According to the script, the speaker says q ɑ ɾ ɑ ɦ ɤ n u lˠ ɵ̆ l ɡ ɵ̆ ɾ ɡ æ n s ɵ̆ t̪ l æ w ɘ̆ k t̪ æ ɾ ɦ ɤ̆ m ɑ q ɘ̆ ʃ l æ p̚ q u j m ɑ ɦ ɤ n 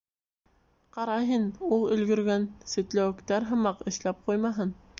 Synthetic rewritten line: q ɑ ɾ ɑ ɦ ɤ n u lˠ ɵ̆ l ɡ ɵ̆ ɾ ɡ æ n s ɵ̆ t̪ l æ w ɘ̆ k t̪ æ ɾ ɦ ɤ̆ m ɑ q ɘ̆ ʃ l æ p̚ q u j m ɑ ɦ ɤ n